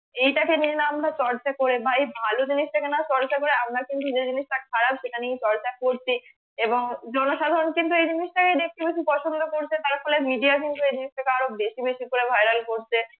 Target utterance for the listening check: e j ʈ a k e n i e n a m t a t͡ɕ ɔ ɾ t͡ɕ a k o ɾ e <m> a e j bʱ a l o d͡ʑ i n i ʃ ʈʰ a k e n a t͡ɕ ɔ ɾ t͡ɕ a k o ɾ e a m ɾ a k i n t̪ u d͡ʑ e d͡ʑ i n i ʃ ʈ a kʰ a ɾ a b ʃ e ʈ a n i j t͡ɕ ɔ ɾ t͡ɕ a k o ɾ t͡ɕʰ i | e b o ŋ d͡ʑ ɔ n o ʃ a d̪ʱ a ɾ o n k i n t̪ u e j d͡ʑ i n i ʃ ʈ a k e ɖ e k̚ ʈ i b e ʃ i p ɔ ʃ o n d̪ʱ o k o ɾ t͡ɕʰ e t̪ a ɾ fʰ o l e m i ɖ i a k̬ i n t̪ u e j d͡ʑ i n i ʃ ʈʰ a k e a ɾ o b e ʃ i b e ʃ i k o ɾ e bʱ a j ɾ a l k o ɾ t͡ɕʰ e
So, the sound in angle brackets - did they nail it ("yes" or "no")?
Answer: no